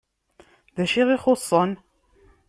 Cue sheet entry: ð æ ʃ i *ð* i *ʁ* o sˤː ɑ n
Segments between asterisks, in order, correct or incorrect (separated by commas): incorrect, incorrect